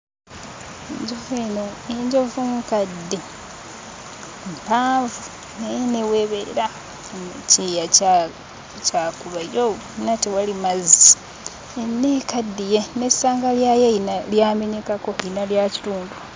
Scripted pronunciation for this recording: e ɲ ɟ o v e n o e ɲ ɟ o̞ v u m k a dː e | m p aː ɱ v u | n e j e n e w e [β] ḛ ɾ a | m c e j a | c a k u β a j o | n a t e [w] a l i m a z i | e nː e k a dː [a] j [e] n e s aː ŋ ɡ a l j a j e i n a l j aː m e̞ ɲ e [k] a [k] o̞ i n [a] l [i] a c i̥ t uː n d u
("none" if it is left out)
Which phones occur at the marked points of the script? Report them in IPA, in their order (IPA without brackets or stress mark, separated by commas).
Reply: β, w, i, e, k, k, a, j